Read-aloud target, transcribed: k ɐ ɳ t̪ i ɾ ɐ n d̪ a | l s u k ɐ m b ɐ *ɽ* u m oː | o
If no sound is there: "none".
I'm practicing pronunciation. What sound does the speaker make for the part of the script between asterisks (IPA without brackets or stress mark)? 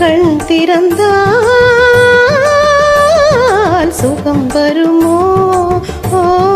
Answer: ɾ